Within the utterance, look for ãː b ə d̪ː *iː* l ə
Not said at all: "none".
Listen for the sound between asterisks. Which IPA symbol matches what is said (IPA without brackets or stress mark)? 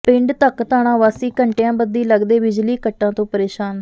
iː